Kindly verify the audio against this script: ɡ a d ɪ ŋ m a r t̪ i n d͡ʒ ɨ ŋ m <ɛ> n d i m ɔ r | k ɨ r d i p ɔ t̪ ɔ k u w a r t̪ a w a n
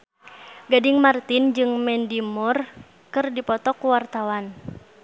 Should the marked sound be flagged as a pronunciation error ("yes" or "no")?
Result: no